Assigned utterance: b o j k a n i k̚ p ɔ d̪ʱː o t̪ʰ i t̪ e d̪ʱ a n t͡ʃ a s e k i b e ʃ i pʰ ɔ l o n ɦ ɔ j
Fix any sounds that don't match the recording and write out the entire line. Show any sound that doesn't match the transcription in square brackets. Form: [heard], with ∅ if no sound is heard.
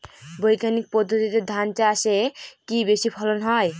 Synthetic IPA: b o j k a n i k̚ p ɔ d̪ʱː o [t̪] i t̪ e d̪ʱ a n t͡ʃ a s e k i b e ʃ i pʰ ɔ l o n ɦ ɔ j